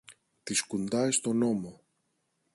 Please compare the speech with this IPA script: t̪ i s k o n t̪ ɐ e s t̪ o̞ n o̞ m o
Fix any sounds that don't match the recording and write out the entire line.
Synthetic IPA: t̪ i s k u n d̪ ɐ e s t̪ o̞ n o̞ m o